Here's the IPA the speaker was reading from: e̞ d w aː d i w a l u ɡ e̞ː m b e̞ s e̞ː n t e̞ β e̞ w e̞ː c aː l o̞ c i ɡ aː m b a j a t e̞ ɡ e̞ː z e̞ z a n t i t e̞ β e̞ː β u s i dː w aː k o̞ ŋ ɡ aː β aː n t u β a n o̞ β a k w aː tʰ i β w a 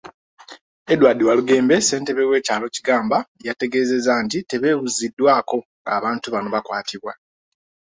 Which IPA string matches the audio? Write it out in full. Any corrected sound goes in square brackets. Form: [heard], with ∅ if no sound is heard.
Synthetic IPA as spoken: e̞ d w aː d i w a l u ɡ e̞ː m b e̞ s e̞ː n t e̞ β e̞ w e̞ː c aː l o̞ c i ɡ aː m b a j a t e̞ ɡ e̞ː z e̞ z a n t i t e̞ β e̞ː β u [z] i dː w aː k o̞ ŋ ɡ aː β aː n t u β a n o̞ β a k w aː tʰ i β w a